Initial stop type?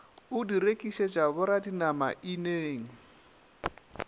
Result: plain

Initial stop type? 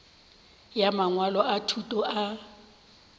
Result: aspirated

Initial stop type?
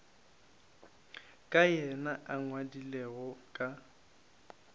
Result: ejective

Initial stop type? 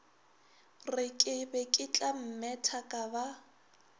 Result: ejective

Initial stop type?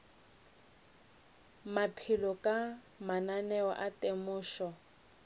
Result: aspirated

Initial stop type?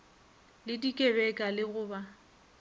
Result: plain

